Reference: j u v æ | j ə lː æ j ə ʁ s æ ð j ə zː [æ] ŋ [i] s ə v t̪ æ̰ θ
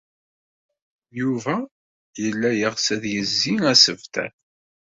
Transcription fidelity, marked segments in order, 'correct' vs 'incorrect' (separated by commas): incorrect, incorrect